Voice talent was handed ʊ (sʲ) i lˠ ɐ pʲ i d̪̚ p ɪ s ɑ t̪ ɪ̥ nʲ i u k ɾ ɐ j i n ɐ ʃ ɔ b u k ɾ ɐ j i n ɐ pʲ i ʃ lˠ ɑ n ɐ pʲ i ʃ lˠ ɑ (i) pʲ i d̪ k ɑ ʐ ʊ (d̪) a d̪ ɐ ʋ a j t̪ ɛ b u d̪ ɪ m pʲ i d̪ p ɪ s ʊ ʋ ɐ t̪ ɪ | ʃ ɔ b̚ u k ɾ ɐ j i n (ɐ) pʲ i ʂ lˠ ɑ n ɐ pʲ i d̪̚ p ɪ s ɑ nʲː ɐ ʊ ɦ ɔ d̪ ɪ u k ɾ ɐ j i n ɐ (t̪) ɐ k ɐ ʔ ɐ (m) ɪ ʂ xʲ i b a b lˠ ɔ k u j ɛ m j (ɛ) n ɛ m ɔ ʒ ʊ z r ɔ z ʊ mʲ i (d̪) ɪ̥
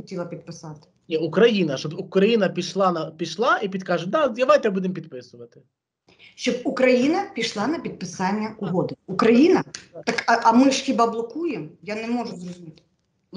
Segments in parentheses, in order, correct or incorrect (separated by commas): incorrect, correct, correct, correct, correct, correct, incorrect, incorrect